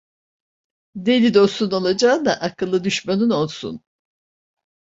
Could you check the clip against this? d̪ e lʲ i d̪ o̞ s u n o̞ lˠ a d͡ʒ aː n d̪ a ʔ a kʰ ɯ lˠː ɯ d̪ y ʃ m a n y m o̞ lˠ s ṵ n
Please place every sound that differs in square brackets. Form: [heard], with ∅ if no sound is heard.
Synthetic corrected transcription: d̪ e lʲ i d̪ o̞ s u n o̞ lˠ a d͡ʒ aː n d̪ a ʔ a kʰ ɯ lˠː ɯ d̪ y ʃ m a n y [n] o̞ lˠ s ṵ n

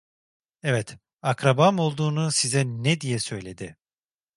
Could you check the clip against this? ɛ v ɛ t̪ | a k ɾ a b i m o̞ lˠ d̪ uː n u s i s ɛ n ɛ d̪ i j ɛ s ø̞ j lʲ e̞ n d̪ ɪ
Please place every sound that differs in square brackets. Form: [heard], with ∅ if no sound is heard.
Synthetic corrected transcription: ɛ v ɛ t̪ | a k ɾ a b [a] m o̞ lˠ d̪ uː n u s i [z] ɛ n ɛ d̪ i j ɛ s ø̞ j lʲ e̞ [∅] d̪ ɪ

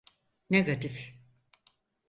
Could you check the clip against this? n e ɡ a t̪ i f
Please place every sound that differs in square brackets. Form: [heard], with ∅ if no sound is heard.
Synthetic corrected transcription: n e ɡ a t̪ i f

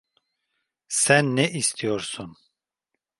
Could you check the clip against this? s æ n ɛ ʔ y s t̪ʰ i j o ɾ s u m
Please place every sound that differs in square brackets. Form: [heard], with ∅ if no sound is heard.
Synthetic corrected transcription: s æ [nː] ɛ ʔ [i] s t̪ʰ i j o ɾ s u [n]

